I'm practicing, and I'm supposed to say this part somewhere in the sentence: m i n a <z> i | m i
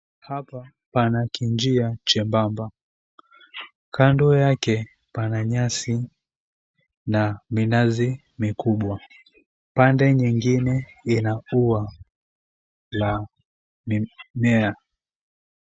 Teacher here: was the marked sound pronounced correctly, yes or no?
yes